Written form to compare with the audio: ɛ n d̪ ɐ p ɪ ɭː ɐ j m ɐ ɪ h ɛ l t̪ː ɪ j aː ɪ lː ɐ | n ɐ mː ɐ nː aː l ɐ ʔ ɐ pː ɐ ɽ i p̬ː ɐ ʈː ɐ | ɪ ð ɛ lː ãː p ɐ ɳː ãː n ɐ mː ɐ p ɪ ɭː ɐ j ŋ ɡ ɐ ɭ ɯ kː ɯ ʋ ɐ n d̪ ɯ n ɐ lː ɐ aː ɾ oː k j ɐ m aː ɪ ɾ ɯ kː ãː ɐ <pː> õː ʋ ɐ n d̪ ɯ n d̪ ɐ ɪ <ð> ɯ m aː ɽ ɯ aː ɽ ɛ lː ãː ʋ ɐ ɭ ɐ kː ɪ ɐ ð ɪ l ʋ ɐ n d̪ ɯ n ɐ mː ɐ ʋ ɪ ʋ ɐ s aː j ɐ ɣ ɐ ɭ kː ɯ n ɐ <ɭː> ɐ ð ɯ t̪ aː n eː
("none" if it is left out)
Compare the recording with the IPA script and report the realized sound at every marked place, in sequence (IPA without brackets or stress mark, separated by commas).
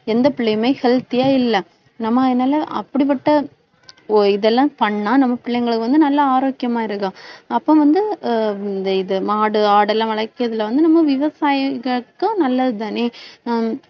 pː, ð, lː